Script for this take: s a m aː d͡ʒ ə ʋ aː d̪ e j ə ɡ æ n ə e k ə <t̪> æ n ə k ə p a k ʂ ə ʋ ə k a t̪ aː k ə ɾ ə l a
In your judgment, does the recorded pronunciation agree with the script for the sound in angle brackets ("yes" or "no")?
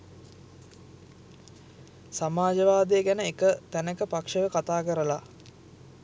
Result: yes